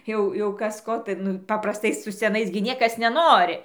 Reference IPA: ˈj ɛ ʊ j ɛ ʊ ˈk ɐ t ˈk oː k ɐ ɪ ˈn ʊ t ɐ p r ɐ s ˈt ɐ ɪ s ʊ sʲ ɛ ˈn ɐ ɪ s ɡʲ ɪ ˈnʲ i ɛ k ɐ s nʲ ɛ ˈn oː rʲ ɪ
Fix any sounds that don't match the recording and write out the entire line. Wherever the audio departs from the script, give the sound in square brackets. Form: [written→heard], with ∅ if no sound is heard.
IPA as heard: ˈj ɛ ʊ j ɛ ʊ ˈk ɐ [t→s] ˈk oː [k→t] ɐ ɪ ˈn ʊ [t→p] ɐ p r ɐ s ˈt ɐ ɪ s ʊ sʲ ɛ ˈn ɐ ɪ s ɡʲ ɪ ˈnʲ i ɛ k ɐ s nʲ ɛ ˈn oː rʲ ɪ